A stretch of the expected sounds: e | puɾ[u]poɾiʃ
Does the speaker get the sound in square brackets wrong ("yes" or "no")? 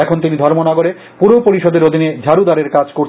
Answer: yes